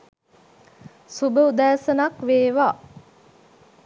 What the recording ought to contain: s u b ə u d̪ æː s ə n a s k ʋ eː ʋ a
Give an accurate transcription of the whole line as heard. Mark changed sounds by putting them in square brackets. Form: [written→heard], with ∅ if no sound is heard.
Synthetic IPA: s u b ə u d̪ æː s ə n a [s→∅] k ʋ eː ʋ a